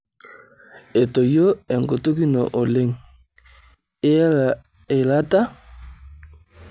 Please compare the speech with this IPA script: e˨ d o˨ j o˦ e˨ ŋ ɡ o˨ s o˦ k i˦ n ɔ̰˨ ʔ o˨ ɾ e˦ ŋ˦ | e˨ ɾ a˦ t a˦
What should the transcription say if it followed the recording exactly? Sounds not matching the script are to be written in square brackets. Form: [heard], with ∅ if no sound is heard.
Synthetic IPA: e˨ [t] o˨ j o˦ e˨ ŋ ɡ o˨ [t] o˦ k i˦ n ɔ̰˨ ʔ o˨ [l] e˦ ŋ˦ | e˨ [l] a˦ t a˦